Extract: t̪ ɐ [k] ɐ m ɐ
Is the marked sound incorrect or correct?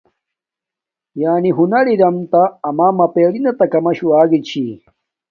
correct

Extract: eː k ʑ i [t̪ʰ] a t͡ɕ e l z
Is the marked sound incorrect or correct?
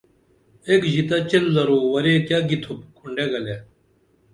incorrect: t̪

